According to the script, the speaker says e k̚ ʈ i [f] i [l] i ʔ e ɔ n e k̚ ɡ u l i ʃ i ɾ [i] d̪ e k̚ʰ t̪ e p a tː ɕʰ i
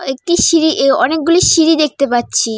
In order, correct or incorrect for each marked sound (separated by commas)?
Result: incorrect, incorrect, correct